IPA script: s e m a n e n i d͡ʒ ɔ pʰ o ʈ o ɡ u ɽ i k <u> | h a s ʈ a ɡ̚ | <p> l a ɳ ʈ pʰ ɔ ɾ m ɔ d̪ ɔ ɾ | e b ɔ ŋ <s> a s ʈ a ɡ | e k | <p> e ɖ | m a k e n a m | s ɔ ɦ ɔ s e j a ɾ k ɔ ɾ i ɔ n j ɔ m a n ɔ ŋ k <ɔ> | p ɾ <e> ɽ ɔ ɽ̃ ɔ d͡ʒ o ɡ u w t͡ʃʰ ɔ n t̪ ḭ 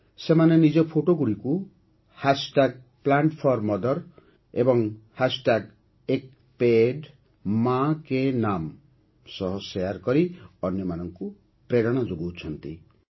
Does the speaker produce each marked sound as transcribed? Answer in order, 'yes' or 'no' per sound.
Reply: yes, yes, no, yes, no, yes

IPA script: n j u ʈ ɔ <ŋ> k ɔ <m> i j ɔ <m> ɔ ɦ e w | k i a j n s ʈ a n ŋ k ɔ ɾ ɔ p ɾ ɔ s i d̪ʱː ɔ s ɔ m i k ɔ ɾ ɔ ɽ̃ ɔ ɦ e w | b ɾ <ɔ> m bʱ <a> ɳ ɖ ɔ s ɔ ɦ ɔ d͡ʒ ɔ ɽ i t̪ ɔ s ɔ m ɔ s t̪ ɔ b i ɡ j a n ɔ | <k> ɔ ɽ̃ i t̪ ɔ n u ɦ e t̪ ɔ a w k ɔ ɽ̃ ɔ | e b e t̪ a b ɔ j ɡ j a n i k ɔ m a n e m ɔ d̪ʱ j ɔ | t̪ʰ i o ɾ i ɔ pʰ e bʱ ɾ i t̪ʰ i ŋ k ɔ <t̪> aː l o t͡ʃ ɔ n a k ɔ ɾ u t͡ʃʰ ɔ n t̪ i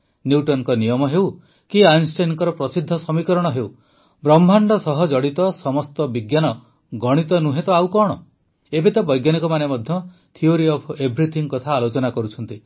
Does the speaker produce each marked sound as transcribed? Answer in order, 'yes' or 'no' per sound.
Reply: no, no, yes, yes, yes, no, no

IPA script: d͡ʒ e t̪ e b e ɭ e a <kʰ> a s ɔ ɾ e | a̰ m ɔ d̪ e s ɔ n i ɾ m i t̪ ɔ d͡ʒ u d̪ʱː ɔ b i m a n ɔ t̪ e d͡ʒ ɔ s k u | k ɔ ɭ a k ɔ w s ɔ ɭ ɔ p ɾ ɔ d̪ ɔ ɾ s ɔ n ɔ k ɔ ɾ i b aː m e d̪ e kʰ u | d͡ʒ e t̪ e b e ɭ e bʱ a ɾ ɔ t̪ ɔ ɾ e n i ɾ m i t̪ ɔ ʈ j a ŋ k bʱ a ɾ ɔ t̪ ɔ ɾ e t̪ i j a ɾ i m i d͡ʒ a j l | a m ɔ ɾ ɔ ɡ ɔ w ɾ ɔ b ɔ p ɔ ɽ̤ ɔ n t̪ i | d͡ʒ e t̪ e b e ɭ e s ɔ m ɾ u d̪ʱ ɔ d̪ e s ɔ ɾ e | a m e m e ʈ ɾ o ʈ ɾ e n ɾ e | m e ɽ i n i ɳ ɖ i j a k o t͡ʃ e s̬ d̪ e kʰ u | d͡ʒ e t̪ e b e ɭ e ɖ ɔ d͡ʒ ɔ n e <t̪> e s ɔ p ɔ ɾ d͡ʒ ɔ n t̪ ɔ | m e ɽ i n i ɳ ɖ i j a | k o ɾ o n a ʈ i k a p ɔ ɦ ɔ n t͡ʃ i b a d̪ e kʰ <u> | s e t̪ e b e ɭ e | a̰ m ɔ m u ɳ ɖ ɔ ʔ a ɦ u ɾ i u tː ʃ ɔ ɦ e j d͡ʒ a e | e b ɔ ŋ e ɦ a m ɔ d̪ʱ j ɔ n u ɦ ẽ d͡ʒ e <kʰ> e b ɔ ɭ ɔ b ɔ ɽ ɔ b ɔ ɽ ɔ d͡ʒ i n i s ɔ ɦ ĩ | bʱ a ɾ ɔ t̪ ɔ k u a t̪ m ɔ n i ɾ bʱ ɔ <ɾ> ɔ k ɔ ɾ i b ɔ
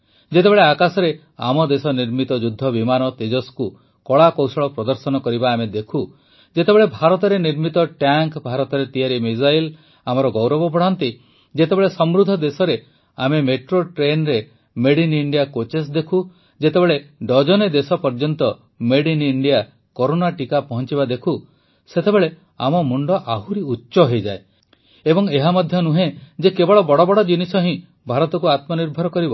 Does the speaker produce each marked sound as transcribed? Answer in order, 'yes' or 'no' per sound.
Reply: no, no, yes, no, yes

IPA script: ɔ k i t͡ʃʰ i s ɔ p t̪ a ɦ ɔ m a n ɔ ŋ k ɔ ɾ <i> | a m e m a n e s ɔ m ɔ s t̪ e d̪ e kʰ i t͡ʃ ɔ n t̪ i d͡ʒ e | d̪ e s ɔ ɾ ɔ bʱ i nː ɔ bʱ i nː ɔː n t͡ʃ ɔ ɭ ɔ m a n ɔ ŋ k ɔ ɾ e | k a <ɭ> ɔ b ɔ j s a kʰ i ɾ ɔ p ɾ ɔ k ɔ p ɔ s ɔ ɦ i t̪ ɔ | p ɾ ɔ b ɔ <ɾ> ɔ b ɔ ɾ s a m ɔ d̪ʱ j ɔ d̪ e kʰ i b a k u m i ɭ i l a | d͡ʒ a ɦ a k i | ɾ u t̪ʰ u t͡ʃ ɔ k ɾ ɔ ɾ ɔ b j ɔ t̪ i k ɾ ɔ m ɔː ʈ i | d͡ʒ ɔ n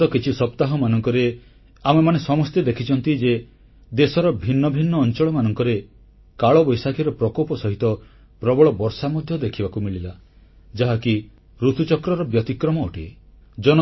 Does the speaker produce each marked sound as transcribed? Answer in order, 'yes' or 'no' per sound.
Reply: no, yes, no

